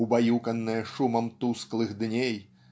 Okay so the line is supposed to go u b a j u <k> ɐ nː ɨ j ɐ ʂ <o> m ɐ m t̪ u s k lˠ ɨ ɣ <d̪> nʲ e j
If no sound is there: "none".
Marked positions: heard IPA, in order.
k, u, d̪

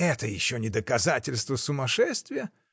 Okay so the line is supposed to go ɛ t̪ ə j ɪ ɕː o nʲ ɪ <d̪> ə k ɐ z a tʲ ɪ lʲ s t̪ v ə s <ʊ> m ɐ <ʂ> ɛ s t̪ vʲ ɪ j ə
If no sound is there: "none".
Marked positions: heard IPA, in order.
d̪, ʊ, ʂ

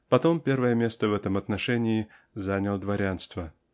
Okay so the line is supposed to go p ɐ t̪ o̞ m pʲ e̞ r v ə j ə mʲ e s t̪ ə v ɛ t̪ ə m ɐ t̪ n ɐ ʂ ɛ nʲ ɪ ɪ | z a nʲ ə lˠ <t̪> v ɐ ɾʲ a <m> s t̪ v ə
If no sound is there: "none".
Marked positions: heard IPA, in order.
d̪, n

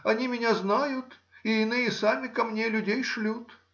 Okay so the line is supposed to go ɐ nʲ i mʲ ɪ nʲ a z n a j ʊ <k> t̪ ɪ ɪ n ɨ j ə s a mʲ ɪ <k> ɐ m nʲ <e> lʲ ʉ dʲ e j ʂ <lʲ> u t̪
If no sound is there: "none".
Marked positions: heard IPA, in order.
none, k, e, lʲ

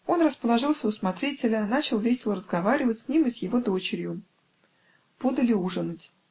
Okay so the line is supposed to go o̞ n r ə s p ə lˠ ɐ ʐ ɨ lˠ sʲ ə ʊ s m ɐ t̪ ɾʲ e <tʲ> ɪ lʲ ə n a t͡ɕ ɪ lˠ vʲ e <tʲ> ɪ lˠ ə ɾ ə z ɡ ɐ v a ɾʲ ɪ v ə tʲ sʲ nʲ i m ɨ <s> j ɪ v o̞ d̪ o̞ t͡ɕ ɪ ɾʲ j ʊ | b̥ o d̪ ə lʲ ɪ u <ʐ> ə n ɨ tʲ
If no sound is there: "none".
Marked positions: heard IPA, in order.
tʲ, sʲ, s, ʐ

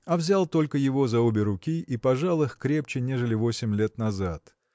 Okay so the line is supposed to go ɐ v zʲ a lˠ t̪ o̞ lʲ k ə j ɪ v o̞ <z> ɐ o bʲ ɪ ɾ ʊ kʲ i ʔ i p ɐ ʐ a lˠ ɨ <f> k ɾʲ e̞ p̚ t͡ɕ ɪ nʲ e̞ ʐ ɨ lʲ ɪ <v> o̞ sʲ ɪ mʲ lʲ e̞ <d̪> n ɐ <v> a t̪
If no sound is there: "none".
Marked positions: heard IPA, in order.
z, x, v, t̪, z

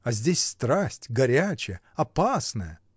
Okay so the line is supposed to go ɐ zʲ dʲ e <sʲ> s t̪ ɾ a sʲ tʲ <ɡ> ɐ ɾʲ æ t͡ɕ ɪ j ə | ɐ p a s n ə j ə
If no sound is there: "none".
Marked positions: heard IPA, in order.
sʲ, ɡ

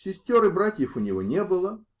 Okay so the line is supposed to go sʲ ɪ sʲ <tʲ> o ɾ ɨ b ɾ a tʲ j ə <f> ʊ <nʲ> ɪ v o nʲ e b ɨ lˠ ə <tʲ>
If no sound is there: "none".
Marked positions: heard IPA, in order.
tʲ, f, nʲ, none

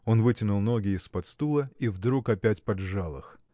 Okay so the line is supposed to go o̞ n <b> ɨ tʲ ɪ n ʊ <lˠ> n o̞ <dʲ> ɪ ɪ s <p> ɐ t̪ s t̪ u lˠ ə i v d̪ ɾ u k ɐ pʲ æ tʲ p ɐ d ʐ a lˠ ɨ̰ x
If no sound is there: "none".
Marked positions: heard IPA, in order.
v, lˠ, ɡʲ, p

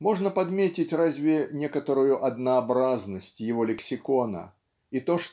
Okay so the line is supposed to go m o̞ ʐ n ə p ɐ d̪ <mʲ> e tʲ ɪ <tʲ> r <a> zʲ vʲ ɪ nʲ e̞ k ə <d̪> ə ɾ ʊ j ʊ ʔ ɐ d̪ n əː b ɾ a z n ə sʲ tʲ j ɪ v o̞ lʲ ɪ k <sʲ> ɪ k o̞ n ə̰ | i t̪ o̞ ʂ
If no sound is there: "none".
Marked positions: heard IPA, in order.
mʲ, tʲ, a, t̪, sʲ

